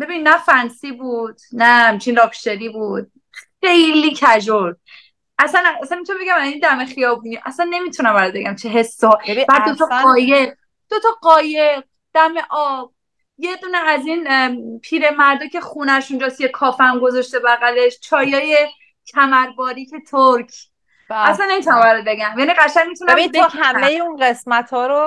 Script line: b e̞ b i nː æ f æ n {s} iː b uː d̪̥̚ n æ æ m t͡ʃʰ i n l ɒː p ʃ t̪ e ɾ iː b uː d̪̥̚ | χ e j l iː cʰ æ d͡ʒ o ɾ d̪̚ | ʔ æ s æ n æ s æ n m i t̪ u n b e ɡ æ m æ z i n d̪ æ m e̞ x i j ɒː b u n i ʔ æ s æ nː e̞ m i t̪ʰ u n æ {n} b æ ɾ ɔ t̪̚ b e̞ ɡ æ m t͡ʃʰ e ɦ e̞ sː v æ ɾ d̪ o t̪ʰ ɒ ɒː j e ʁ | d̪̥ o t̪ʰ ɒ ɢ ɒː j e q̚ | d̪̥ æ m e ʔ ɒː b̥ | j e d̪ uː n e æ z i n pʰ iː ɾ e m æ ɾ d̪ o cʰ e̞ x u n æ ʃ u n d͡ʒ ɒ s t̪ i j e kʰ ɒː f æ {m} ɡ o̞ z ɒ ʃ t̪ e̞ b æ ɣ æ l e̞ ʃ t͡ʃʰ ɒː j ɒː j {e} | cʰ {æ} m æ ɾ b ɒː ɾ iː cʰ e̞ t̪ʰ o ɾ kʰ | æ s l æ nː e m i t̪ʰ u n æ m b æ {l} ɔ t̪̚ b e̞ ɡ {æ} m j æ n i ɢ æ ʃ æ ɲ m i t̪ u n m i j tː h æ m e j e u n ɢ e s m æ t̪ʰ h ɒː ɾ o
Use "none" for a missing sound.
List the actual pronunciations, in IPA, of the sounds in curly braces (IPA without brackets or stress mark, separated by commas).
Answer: s, m, m, e, æ, ɾ, æ